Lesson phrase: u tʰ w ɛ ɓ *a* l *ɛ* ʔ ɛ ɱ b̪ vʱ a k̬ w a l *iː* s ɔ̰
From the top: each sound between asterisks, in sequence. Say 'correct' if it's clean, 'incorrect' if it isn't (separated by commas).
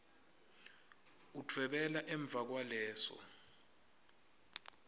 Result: incorrect, incorrect, incorrect